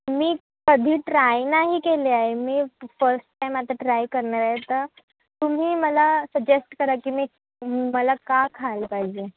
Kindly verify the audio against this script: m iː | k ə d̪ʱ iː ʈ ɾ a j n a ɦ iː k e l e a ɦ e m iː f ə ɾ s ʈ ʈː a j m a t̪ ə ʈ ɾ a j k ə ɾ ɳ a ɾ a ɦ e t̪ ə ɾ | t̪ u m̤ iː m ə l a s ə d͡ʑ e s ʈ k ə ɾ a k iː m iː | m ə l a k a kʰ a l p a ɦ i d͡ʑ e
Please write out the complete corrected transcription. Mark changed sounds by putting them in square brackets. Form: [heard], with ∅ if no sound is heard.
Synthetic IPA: m iː | k ə d̪ʱ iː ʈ ɾ a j n a ɦ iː k e l e a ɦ e m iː f ə ɾ s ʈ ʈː a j m a t̪ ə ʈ ɾ a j k ə ɾ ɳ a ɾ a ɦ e t̪ ə ɾ | t̪ u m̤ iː m ə l a s ə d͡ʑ e s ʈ k ə ɾ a k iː m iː | m ə l a k a kʰ a l p a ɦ i d͡ʑ e

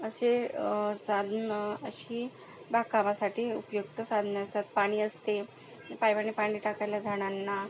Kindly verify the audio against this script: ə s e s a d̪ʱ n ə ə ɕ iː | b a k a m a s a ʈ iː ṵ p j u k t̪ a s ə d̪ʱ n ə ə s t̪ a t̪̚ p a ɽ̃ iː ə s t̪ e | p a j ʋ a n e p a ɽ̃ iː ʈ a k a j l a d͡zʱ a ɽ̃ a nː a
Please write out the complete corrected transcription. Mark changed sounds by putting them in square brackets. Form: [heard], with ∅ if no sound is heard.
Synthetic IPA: ə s e s a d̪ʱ n ə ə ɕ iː | b a k a m a s a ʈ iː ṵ p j u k t̪ [ə] s [a] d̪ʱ n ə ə s t̪ a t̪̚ p a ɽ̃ iː ə s t̪ e | p a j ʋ a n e p a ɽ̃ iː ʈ a k a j l a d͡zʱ a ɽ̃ a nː a

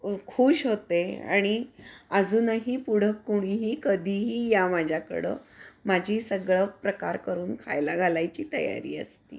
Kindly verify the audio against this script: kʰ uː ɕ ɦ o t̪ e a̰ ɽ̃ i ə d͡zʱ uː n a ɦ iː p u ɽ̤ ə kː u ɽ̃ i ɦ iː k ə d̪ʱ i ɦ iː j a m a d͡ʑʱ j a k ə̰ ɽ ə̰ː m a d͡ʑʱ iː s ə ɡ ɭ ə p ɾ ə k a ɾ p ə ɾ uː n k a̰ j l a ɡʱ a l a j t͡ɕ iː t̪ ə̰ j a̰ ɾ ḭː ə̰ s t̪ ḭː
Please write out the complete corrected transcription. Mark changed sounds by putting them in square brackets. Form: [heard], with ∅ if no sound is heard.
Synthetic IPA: kʰ uː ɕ ɦ o t̪ e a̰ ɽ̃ i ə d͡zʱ uː n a ɦ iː p u ɽ̤ ə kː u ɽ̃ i ɦ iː k ə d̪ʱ i ɦ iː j a m a d͡ʑʱ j a k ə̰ ɽ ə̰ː m a d͡ʑʱ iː s ə ɡ ɭ ə p ɾ ə k a ɾ [k] ə ɾ uː n [kʰ] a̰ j l a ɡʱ a l a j t͡ɕ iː t̪ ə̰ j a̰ ɾ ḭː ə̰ s t̪ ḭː

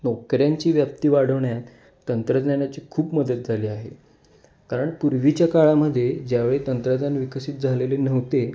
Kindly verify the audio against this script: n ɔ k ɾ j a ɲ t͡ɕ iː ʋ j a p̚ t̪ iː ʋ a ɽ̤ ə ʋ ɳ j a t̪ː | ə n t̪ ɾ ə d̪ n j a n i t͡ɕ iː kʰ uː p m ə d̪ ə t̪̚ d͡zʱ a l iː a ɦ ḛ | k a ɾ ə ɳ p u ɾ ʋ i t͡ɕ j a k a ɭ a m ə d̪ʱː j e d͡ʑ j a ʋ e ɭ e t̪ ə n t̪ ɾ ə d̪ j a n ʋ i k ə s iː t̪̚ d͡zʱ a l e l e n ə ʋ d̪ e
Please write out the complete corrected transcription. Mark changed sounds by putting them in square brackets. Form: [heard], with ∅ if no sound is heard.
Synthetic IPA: n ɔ k ɾ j a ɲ t͡ɕ iː ʋ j a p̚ t̪ iː ʋ a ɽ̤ ə ʋ ɳ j a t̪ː | ə n t̪ ɾ ə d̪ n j a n [a] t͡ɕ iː kʰ uː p m ə d̪ ə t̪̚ d͡zʱ a l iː a ɦ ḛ | k a ɾ ə ɳ p u ɾ ʋ i t͡ɕ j a k a ɭ a m ə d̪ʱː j e d͡ʑ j a ʋ e ɭ e t̪ ə n t̪ ɾ ə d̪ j a n ʋ i k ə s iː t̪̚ d͡zʱ a l e l e n ə ʋ [t̪] e

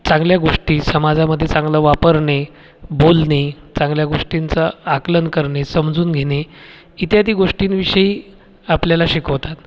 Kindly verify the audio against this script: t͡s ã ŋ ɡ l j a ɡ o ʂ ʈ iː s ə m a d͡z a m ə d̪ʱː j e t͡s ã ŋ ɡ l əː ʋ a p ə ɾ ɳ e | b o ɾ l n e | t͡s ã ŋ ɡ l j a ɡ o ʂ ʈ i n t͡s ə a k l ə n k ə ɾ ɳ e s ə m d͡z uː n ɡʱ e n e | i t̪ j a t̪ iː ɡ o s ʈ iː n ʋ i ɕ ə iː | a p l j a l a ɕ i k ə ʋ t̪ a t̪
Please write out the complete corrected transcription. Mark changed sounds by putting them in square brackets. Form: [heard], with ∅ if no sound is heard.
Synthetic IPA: t͡s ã ŋ ɡ l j a ɡ o ʂ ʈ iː s ə m a d͡z a m ə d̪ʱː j e t͡s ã ŋ ɡ l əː ʋ a p ə ɾ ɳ e | b o [∅] l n e | t͡s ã ŋ ɡ l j a ɡ o ʂ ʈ i n t͡s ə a k l ə n k ə ɾ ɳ e s ə m d͡z uː n ɡʱ e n e | i t̪ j a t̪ iː ɡ o [ʂ] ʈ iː n ʋ i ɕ ə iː | a p l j a l a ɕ i k ə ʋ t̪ a t̪

